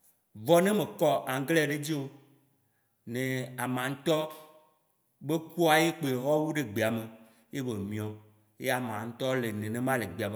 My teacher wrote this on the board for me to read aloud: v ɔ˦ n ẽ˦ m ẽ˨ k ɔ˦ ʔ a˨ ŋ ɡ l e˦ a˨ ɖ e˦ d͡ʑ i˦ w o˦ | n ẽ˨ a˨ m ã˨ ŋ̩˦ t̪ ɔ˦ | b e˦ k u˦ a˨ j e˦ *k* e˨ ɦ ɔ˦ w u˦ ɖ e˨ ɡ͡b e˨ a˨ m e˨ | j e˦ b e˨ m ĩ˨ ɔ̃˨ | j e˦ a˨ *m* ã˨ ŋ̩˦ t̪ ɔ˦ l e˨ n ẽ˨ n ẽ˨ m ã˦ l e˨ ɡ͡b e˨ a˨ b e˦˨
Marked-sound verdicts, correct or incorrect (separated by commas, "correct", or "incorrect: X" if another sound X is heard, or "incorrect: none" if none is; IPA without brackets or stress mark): incorrect: k͡p, correct